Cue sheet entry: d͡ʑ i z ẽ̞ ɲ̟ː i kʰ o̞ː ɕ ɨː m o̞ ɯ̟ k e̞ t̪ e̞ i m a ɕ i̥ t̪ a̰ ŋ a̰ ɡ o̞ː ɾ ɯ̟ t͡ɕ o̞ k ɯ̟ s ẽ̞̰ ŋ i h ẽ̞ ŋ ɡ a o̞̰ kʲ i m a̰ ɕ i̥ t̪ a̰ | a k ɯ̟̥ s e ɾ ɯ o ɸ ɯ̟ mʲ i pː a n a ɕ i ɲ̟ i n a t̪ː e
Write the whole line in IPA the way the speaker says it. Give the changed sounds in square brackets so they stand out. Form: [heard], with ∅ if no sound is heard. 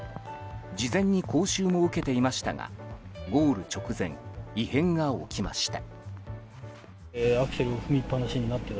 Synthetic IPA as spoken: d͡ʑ i z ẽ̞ ɲ̟ː i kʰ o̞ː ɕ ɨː m o̞ ɯ̟ k e̞ t̪ e̞ i m a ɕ i̥ t̪ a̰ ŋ a̰ ɡ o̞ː ɾ ɯ̟ t͡ɕ o̞ k ɯ̟ [z] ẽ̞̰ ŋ i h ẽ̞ ŋ ɡ a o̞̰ kʲ i m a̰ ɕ i̥ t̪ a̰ | a k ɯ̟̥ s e ɾ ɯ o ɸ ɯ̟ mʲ i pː a n a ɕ i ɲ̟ i n a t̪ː e